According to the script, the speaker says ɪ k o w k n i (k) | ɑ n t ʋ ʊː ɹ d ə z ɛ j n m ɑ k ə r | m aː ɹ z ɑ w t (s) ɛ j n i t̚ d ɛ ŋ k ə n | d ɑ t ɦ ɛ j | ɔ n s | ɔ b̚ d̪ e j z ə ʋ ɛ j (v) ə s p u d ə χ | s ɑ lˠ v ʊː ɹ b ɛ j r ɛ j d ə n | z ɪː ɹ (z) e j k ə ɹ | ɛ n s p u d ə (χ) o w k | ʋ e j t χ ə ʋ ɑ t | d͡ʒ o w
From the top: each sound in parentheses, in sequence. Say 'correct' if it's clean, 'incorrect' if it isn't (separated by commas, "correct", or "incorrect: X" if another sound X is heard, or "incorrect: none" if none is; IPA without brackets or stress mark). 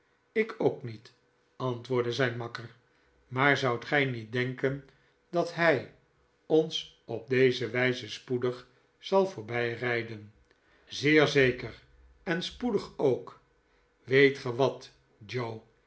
incorrect: t, incorrect: χ, incorrect: z, correct, correct